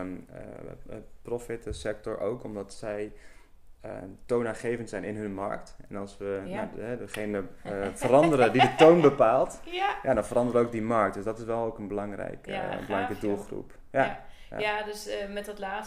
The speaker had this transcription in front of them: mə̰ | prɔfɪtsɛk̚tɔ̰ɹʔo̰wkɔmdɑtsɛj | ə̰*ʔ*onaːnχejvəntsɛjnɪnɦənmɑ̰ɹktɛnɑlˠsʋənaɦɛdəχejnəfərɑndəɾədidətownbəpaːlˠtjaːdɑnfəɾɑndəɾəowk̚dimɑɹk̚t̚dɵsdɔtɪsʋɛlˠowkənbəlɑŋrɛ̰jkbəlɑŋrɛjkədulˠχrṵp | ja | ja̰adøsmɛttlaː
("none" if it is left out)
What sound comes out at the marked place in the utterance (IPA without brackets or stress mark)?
t